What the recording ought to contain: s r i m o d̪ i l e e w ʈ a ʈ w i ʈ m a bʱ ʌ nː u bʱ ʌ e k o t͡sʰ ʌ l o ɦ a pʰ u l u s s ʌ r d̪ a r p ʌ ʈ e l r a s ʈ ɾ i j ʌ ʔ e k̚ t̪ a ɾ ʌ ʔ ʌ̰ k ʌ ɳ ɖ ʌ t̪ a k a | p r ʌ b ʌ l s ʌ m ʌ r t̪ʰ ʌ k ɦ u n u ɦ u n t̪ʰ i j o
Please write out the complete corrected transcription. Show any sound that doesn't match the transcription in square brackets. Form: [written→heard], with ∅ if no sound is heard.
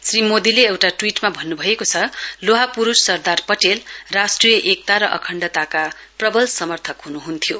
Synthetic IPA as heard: s r i m o d̪ i l e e w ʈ a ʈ w i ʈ m a bʱ ʌ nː u bʱ ʌ e k o t͡sʰ ʌ l o ɦ a [pʰ→p] u [l→ɾ] u s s ʌ r d̪ a r p ʌ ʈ e l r a s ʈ [ɾ→r] i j ʌ ʔ e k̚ t̪ a ɾ ʌ ʔ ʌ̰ [k→kʰ] ʌ ɳ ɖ ʌ t̪ a k a | p r ʌ b ʌ l s ʌ m ʌ r t̪ʰ ʌ k ɦ u n u ɦ u n t̪ʰ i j o